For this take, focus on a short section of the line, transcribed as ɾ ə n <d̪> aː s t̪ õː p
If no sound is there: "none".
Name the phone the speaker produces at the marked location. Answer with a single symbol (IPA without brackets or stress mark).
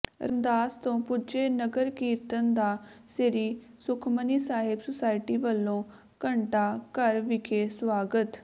d̪